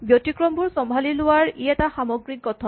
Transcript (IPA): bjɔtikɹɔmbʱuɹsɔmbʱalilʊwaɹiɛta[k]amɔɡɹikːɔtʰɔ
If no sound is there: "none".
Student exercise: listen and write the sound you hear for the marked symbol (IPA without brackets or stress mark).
x